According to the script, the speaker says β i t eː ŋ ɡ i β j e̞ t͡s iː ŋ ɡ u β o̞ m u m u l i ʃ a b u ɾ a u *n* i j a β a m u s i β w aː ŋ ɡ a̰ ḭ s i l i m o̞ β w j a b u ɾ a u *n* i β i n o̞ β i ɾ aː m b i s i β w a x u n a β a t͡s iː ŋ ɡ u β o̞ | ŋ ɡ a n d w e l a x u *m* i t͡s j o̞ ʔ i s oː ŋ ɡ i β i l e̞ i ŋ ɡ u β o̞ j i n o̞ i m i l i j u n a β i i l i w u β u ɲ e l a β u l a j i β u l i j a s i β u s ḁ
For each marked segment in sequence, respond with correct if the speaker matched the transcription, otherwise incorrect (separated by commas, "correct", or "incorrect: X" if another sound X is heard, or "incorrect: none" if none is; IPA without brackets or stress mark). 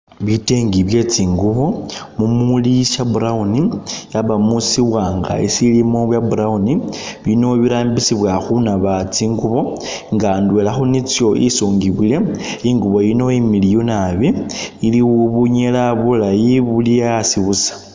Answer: correct, correct, incorrect: n